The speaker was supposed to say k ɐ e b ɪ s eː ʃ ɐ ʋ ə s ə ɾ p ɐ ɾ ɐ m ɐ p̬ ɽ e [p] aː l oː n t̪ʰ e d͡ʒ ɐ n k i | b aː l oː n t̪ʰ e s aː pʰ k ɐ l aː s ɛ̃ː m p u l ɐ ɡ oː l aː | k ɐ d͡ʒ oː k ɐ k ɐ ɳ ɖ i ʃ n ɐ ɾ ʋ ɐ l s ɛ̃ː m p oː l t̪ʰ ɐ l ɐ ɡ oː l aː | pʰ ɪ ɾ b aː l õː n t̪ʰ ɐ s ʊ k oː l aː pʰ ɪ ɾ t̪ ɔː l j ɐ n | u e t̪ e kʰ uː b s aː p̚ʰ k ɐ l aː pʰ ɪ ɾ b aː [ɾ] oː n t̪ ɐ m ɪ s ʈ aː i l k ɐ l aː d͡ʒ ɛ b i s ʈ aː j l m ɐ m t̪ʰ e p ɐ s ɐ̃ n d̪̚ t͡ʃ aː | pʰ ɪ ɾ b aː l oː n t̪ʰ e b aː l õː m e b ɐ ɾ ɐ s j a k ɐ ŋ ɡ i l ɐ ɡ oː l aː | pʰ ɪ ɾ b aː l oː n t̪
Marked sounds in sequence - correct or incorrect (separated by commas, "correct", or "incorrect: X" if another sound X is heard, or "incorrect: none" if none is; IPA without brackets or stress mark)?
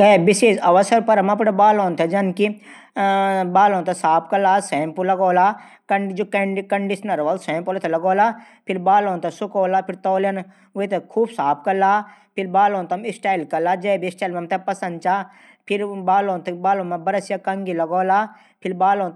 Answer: incorrect: b, incorrect: l